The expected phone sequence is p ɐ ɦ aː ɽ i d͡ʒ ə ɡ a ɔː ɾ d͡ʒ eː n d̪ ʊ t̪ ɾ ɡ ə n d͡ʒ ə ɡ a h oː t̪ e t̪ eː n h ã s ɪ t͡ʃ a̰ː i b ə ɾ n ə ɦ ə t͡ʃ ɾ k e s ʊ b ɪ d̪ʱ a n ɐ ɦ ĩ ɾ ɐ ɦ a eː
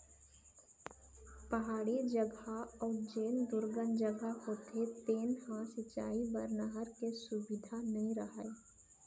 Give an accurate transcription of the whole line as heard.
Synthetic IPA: p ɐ ɦ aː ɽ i d͡ʒ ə ɡ a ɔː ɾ d͡ʒ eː n d̪ ʊ ɾ ɡ ə n d͡ʒ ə ɡ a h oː t̪ e t̪ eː n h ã s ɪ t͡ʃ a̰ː i b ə ɾ n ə ɦ ə ɾ k e s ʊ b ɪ d̪ʱ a n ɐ ɦ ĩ ɾ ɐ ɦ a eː